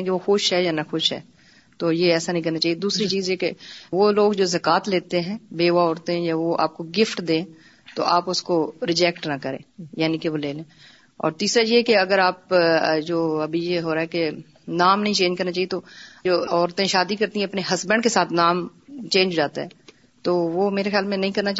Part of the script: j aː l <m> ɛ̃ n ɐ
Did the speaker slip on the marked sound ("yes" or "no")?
no